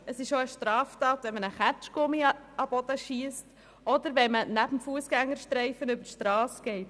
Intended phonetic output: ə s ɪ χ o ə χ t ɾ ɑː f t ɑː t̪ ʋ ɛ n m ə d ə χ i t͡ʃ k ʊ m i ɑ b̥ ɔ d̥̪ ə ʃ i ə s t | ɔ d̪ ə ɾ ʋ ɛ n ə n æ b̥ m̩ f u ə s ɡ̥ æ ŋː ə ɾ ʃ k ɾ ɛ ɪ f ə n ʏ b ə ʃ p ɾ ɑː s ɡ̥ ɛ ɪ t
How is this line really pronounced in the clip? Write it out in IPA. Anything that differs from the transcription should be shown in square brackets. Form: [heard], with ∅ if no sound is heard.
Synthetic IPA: ə s ɪ [ʃ] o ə [ʃ] t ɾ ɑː f t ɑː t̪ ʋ ɛ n m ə [n] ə χ [æ] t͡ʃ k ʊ m i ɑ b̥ ɔ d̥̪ ə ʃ i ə s t | ɔ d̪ ə ɾ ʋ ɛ [m] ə n æ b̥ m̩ f u ə s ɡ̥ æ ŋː ə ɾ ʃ [t] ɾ ɛ ɪ f ə n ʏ b ə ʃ [t] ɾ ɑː s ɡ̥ ɛ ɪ t